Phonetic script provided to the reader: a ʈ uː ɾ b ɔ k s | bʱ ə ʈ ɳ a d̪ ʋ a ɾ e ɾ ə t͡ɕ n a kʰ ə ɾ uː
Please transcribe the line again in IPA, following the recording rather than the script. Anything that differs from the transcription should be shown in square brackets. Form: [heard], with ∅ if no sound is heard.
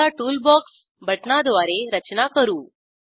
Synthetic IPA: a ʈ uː [l] b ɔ k s | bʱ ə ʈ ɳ a d̪ ʋ a ɾ e ɾ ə t͡ɕ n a [k] ə ɾ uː